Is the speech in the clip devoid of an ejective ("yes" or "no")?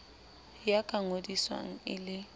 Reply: no